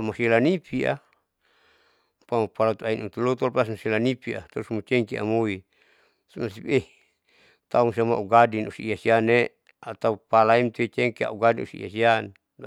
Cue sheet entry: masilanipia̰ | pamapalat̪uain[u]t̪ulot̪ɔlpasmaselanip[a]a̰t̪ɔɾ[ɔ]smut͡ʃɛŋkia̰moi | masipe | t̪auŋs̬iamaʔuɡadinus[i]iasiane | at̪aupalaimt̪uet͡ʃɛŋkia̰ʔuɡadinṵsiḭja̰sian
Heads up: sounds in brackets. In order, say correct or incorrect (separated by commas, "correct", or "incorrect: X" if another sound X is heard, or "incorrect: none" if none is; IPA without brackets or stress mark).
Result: correct, incorrect: i, incorrect: u, correct